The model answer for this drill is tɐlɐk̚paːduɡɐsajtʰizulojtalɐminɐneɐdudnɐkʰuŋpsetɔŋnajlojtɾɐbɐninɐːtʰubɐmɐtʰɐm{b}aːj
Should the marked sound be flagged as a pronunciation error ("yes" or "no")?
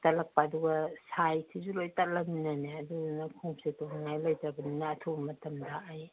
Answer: yes